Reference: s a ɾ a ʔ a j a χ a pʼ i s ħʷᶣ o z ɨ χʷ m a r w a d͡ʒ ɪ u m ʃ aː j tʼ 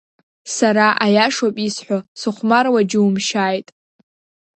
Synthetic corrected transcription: s a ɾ a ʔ a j a ʂ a pʼ i s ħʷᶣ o s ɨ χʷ m a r w a d͡ʒ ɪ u m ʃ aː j tʼ

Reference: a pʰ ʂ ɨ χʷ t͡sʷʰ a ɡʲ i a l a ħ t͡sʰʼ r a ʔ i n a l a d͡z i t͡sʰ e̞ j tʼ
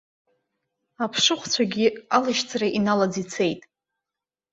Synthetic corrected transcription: a pʰ ʂ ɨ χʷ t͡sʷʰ a ɡʲ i a l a ʃ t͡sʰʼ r a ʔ i n a l a d͡z i t͡sʰ e̞ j tʼ

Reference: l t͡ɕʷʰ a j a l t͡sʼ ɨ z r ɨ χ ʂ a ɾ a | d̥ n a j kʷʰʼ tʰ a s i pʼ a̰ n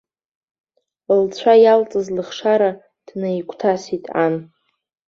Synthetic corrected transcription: l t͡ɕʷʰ a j a l t͡sʼ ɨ z l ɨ χ ʂ a ɾ a | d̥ n a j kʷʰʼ tʰ a s i tʼ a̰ n

